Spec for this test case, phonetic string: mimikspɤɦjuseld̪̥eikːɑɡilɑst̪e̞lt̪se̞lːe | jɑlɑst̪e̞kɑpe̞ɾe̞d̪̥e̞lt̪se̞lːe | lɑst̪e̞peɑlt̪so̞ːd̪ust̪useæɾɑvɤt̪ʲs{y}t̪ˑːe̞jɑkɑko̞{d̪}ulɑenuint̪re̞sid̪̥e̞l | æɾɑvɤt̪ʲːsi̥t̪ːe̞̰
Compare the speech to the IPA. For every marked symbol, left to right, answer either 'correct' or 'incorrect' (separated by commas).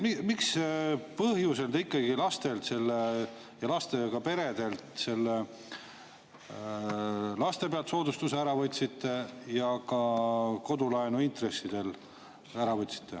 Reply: incorrect, correct